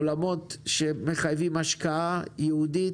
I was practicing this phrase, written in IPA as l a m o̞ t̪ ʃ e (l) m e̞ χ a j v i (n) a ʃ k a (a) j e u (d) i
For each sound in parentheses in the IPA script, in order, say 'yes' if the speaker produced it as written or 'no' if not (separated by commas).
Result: no, no, yes, yes